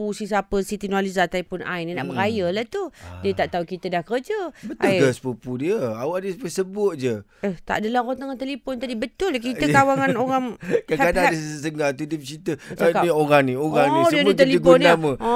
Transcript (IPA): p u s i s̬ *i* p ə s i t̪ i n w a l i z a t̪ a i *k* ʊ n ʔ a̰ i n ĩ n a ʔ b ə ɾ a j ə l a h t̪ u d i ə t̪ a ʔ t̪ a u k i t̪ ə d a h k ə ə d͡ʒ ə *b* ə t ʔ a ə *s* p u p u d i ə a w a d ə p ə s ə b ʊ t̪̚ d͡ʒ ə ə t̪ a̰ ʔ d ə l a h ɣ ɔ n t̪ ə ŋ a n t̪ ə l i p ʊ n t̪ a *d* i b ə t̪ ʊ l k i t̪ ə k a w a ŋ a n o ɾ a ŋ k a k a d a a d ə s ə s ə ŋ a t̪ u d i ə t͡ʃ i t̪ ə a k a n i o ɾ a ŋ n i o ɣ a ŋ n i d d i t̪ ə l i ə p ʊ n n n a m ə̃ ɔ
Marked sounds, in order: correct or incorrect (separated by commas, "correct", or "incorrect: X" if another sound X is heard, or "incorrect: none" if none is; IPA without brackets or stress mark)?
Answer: incorrect: a, incorrect: p, correct, correct, correct